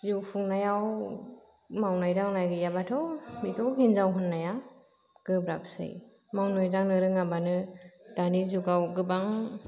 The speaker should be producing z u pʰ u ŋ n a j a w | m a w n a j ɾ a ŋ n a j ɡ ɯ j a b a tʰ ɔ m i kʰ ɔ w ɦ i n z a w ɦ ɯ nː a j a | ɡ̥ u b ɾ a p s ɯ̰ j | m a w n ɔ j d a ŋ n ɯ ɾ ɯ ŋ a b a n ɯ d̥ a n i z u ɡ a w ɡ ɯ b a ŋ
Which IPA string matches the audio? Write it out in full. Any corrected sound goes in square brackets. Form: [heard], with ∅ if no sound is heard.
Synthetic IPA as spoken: z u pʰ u ŋ n a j a w | m a w n a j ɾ a ŋ n a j ɡ ɯ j a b a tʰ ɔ m i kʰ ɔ w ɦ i n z a w ɦ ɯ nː a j a | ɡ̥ [ɯ] b ɾ a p s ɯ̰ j | m a w n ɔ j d a ŋ n ɯ ɾ ɯ ŋ a b a n ɯ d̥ a n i z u ɡ a w ɡ ɯ b a ŋ